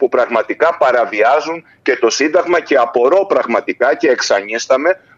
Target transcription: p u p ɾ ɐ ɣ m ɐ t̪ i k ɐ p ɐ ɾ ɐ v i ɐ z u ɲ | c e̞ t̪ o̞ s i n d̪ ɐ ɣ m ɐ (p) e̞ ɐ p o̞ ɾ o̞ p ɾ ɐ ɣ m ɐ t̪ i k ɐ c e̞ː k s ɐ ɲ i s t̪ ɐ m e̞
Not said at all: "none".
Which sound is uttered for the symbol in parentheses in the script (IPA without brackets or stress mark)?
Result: c